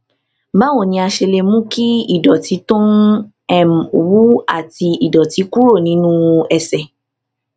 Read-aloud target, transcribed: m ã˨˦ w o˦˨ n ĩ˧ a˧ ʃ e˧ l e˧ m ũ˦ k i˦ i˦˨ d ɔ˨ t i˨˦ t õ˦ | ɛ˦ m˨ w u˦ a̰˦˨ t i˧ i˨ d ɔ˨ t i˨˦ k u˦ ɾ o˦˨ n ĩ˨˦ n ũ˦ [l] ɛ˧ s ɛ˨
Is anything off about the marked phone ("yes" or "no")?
yes